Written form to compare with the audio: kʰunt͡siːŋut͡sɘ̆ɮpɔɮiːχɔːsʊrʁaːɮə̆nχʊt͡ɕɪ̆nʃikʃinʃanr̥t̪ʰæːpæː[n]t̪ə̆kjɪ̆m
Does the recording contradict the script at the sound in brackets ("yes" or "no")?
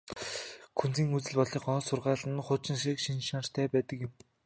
yes